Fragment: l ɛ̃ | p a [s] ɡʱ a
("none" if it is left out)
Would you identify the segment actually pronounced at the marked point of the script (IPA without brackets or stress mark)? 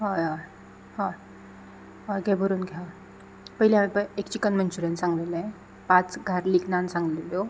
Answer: t͡s